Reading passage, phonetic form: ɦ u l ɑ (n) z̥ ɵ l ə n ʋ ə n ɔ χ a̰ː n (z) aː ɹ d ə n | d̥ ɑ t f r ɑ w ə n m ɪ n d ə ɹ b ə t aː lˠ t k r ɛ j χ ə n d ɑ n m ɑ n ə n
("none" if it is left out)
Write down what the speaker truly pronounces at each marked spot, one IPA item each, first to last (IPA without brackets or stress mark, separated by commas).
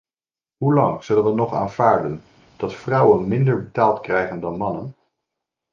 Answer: ŋ, v